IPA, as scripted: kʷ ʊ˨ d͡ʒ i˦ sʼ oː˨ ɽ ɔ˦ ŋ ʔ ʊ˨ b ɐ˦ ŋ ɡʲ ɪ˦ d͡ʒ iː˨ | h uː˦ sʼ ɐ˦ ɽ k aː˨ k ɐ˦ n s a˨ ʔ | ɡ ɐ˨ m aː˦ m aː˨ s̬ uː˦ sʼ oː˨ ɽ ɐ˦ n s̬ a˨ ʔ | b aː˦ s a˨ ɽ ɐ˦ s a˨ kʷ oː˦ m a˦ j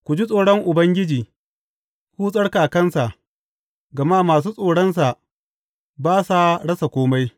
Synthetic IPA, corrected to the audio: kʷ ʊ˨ d͡ʒ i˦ sʼ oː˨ ɽ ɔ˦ ŋ ʔ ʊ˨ b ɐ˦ ŋ ɡʲ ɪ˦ d͡ʒ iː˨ | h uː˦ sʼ ɐ˦ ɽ k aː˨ k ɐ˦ n s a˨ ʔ | ɡ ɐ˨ m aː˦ m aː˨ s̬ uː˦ sʼ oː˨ ɽ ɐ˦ n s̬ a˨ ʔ | b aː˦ s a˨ ɽ ɐ˦ s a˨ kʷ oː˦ m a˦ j